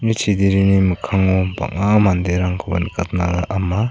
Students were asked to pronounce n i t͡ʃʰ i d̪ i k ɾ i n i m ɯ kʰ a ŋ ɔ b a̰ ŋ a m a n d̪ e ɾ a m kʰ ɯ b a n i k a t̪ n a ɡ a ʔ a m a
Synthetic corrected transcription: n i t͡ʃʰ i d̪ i ɾ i n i m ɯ kʰ a ŋ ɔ b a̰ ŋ a m a n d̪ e ɾ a ŋ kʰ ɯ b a n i k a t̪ n a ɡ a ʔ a m a